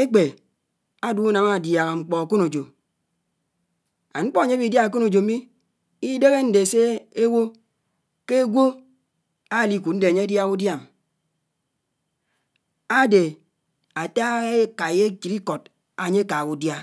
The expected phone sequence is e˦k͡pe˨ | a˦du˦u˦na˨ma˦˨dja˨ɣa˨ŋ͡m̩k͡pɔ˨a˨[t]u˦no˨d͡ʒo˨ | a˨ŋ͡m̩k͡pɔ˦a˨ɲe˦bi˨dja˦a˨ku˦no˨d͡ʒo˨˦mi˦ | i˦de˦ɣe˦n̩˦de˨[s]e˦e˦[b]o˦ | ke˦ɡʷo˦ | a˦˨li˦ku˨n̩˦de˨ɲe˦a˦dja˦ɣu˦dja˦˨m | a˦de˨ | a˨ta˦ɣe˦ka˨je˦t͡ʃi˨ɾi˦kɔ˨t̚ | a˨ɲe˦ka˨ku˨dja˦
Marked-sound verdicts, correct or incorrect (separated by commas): incorrect, correct, incorrect